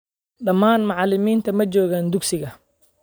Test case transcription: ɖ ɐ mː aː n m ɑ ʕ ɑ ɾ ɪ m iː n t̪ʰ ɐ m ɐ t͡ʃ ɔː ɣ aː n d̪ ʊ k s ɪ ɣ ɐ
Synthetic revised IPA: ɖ ɐ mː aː n m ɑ ʕ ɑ l ɪ m iː n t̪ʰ ɐ m ɐ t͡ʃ ɔː ɣ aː n d̪ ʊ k s ɪ ɣ ɐ